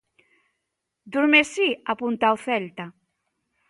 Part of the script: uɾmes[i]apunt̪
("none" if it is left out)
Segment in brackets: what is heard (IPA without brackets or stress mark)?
i